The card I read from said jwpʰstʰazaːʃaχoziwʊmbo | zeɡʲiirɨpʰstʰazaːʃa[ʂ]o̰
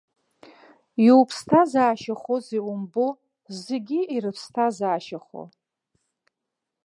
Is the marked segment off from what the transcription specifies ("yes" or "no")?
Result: yes